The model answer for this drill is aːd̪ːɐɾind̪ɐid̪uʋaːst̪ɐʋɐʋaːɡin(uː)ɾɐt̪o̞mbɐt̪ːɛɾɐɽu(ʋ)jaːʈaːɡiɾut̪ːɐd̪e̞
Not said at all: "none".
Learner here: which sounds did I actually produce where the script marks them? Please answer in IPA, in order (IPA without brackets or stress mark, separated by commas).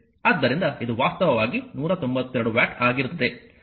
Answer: uː, ʋ